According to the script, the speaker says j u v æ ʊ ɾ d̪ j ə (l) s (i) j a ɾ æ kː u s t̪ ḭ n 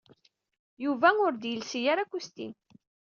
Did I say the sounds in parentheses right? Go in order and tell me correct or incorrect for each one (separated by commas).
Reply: correct, correct